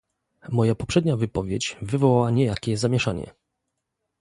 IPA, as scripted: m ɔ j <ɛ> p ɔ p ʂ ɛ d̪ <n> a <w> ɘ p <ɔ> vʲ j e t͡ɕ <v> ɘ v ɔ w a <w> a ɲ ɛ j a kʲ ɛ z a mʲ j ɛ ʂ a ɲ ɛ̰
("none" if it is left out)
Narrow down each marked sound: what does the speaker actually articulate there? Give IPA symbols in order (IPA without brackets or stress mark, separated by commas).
a, ɲ, v, ɔ, v, w